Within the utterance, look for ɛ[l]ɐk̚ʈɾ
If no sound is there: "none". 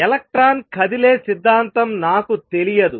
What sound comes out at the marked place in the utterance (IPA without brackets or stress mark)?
l